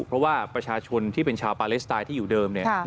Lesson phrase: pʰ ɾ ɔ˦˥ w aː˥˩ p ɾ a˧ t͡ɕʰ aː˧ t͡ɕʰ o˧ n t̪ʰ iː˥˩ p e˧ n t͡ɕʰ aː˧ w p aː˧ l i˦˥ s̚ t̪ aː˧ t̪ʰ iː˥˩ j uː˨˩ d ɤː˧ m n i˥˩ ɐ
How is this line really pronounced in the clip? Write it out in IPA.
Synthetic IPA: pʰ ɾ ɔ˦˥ w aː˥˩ p ɾ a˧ t͡ɕʰ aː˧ t͡ɕʰ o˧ n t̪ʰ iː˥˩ p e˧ n t͡ɕʰ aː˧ w p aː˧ l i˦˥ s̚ t̪ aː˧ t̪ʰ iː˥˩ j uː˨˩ d ɤː˧ m n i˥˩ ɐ